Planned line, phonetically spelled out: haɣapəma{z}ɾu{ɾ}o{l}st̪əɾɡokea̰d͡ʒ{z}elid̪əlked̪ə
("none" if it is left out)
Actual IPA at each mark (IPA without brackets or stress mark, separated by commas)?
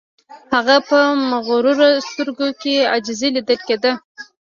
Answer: ɣ, ɾ, none, z